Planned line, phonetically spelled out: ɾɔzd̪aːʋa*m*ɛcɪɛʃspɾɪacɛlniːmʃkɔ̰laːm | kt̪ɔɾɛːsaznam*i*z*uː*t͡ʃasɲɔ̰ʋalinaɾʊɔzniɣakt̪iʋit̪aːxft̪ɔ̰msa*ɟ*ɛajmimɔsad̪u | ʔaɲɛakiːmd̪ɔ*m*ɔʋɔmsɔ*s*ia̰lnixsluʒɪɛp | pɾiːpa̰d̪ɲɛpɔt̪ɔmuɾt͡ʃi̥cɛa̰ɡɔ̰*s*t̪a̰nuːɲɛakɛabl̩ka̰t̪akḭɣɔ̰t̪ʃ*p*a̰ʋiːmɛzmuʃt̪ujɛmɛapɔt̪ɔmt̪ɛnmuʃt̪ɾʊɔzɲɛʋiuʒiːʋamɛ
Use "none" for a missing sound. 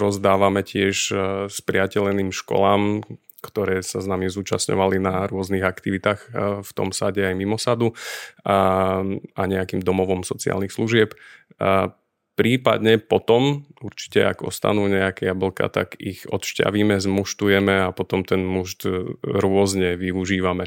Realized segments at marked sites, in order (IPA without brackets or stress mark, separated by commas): m, i, uː, ɟ, m, t͡s, s, c